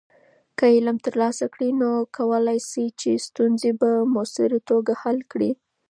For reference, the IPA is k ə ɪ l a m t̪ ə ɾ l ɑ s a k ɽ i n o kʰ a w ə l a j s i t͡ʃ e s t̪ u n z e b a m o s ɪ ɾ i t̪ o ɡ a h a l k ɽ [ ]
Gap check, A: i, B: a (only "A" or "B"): A